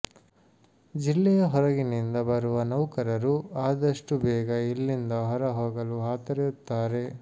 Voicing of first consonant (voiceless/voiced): voiced